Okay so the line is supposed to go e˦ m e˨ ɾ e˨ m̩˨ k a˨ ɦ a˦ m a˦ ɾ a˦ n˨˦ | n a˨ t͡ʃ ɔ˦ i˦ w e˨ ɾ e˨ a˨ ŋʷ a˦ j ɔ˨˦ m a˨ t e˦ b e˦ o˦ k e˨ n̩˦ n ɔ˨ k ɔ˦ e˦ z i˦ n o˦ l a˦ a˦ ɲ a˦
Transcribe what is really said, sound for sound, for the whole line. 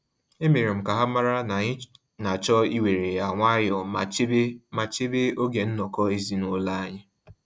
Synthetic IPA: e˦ m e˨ ɾ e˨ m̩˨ k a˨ ɦ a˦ m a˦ ɾ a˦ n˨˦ | n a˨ t͡ʃ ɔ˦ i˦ w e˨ ɾ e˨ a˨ ŋʷ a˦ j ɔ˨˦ m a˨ t͡ʃ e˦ b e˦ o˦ ɡ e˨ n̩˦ n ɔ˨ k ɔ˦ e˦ z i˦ n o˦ l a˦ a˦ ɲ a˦